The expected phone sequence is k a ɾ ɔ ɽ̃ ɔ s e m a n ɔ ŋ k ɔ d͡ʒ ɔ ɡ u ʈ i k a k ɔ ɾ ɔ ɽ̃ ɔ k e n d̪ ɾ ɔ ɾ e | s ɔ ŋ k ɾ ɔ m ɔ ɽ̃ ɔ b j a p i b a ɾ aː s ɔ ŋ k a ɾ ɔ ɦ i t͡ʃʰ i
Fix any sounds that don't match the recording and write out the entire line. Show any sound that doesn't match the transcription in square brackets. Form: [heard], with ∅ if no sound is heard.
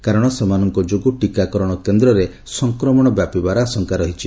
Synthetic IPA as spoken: k a ɾ ɔ ɽ̃ ɔ s e m a n ɔ ŋ k ɔ d͡ʒ [o] ɡ u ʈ i k a k ɔ ɾ ɔ ɽ̃ ɔ k e n d̪ ɾ ɔ ɾ e | s ɔ ŋ k ɾ ɔ m ɔ ɽ̃ ɔ b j a p i b a ɾ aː s ɔ ŋ k a ɾ ɔ ɦ i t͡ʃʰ i